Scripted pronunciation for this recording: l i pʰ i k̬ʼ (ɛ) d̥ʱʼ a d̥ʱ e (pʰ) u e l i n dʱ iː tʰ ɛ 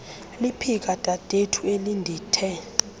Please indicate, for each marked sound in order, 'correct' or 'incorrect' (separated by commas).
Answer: incorrect, incorrect